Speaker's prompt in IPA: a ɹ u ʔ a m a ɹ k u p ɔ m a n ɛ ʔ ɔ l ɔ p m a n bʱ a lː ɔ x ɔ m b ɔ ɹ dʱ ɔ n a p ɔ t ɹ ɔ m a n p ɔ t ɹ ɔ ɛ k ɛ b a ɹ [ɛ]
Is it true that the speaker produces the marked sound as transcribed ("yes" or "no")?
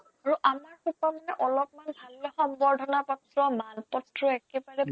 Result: yes